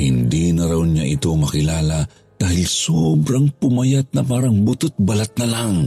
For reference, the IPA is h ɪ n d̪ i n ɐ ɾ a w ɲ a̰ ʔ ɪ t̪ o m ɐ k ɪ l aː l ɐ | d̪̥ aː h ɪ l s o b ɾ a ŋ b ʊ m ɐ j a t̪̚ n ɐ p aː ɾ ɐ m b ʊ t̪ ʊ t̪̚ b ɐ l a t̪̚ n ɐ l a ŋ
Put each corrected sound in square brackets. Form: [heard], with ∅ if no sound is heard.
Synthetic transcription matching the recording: h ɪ n d̪ i n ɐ ɾ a w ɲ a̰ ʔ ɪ t̪ o m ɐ k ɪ l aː l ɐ | d̪̥ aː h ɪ l s o b ɾ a ŋ [p] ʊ m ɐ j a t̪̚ n ɐ p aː ɾ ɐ [ŋ] b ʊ t̪ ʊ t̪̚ b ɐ l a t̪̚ n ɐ l a ŋ